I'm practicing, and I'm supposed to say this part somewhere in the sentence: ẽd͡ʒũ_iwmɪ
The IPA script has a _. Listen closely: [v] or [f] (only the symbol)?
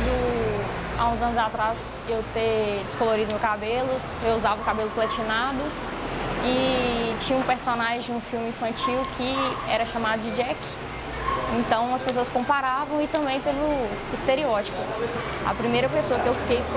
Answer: f